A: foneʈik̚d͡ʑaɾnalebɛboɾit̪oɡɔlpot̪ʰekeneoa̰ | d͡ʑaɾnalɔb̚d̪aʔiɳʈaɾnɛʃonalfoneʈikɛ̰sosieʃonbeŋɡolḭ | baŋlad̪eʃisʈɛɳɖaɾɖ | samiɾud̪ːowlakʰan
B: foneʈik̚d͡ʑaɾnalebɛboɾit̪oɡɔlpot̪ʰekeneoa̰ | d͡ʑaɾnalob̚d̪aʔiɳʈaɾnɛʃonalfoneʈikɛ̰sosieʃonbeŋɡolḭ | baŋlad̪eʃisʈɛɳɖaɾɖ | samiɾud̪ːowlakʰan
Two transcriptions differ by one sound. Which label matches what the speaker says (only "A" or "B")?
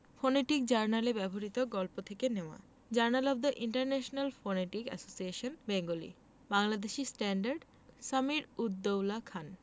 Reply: A